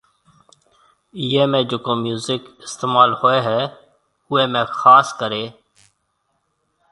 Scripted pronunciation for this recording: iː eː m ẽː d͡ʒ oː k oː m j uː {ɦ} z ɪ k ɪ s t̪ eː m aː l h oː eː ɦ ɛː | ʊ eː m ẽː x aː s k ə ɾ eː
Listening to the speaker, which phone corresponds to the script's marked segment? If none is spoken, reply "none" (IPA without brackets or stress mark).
none